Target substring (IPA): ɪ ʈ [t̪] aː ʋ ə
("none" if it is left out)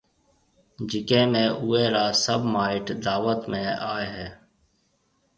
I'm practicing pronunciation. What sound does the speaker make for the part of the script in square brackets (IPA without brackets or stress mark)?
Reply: d̪